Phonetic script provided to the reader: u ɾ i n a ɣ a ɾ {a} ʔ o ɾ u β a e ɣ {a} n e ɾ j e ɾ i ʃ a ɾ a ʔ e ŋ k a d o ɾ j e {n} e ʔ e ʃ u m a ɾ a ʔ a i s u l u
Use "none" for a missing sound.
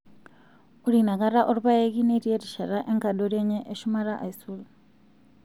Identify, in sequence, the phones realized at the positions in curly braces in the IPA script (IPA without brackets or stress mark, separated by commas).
a, i, ɲ